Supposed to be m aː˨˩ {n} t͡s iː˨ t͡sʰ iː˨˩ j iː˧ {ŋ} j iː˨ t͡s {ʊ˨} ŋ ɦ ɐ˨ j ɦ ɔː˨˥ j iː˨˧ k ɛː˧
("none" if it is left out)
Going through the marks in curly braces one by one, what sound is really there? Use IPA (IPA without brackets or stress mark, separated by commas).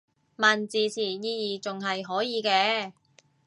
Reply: n, none, ʊ˨